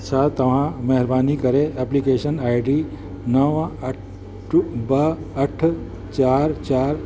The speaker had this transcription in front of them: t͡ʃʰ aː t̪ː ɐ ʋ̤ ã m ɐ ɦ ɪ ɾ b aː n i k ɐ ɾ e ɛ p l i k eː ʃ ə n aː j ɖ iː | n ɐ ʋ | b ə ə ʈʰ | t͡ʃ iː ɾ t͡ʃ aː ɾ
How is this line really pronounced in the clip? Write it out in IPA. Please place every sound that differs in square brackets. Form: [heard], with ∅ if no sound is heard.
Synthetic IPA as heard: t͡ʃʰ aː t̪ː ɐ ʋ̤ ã m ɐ ɦ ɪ ɾ b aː n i k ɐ ɾ e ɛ p l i k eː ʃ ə n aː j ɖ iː | n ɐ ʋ | b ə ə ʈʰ | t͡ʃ [aː] ɾ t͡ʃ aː ɾ